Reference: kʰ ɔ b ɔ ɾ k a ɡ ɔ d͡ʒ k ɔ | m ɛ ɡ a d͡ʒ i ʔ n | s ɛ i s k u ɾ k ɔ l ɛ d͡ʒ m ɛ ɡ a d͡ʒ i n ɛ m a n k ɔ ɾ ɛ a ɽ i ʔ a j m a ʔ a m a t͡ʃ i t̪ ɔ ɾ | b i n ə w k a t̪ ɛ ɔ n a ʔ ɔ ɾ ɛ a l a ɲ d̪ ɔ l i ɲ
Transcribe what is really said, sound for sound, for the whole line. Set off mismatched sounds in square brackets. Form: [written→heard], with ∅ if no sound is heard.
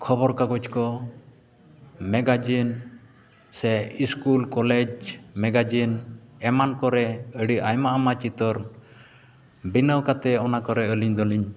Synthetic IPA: kʰ ɔ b ɔ ɾ k a ɡ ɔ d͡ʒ k ɔ | m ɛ ɡ a d͡ʒ i [ʔ→∅] n | s ɛ i s k u [ɾ→l] k ɔ l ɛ d͡ʒ m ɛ ɡ a d͡ʒ i n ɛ m a n k ɔ ɾ ɛ [a→ə] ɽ i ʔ a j m a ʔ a m a t͡ʃ i t̪ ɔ ɾ | b i n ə w k a t̪ ɛ ɔ n a [ʔ→k] ɔ ɾ ɛ [a→ə] l [a→i] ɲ d̪ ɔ l i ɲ